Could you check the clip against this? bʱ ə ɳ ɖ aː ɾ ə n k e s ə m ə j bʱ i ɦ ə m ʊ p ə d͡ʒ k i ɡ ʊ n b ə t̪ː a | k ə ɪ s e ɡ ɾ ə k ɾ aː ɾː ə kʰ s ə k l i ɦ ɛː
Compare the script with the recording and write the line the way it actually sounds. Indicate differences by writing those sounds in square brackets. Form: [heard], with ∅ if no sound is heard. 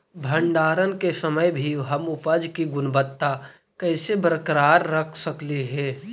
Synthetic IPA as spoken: bʱ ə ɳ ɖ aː ɾ ə n k e s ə m ə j bʱ i ɦ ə m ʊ p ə d͡ʒ k i ɡ ʊ n b ə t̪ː a | k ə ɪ s e [b] ɾ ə k ɾ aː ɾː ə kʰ s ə k l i ɦ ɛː